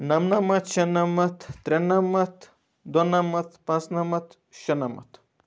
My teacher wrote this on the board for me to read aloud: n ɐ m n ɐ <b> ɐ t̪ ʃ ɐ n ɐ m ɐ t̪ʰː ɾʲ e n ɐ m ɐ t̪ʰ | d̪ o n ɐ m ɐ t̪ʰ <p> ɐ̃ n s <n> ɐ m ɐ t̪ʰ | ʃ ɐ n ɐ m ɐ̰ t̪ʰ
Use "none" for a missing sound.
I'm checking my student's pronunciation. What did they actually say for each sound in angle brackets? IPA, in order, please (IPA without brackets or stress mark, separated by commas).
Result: m, p, n